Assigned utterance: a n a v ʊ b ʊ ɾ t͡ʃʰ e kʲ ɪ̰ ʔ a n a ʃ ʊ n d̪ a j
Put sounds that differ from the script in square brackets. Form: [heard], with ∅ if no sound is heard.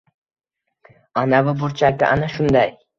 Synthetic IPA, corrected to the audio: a n a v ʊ b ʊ ɾ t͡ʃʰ [a] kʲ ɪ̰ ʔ a n a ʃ ʊ n d̪ a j